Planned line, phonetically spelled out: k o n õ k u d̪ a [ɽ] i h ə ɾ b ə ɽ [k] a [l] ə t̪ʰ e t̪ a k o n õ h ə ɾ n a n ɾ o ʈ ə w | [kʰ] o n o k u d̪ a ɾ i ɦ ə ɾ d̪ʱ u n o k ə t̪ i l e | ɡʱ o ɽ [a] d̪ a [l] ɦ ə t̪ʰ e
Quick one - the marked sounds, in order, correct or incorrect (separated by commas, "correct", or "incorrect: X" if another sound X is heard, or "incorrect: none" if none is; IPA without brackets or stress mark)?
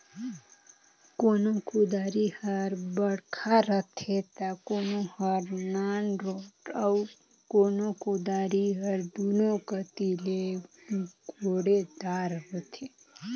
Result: incorrect: ɾ, incorrect: kʰ, incorrect: ɾ, incorrect: k, incorrect: e, incorrect: ɾ